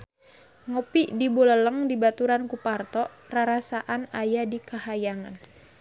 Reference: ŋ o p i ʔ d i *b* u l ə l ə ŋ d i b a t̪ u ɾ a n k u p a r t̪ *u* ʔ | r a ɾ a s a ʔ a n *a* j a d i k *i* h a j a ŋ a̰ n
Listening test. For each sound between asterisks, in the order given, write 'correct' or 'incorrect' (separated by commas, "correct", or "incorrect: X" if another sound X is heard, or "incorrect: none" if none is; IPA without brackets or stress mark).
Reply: correct, incorrect: ɔ, correct, incorrect: a